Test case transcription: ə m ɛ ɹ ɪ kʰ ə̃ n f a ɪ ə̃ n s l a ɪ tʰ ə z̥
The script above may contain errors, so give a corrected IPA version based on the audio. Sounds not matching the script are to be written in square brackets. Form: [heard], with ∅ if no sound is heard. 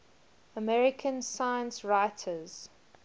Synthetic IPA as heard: ə m ɛ ɹ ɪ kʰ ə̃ n [s] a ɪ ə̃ n s [ɹ] a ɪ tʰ ə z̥